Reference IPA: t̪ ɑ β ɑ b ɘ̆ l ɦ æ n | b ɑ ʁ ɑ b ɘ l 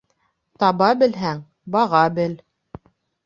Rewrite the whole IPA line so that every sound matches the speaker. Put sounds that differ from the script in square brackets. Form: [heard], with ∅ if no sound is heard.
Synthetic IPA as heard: t̪ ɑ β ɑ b ɘ̆ l ɦ æ [ŋ] | b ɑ ʁ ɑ b ɘ l